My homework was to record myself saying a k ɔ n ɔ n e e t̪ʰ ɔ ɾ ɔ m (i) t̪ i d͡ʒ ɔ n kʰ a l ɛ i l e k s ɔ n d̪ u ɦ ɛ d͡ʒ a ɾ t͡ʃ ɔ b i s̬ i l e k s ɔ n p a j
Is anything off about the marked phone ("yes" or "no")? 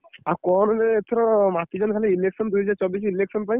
yes